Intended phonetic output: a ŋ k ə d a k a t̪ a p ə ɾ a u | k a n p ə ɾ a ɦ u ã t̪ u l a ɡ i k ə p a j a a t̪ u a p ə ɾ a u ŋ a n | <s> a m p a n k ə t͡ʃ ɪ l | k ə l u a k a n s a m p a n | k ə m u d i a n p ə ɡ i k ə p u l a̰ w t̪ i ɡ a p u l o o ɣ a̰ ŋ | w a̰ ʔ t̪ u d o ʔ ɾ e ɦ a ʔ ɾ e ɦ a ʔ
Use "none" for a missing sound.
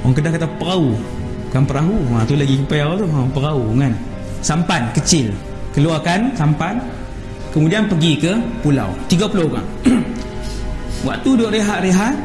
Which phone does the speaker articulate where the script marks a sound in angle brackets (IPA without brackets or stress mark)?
s